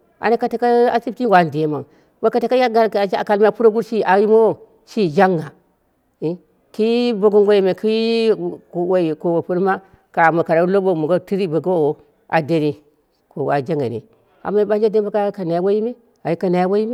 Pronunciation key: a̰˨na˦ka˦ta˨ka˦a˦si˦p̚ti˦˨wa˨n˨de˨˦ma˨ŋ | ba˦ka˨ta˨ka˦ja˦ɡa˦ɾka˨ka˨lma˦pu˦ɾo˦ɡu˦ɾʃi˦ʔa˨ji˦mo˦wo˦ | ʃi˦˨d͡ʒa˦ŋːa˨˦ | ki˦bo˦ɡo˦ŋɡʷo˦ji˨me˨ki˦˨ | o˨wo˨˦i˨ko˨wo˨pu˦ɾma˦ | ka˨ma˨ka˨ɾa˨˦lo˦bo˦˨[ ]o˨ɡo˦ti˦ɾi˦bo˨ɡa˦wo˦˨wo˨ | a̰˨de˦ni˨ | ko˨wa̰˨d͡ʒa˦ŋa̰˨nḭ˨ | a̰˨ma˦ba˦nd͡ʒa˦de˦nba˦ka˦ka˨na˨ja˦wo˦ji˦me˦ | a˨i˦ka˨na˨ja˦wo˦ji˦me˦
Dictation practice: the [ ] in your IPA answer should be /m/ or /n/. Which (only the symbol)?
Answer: m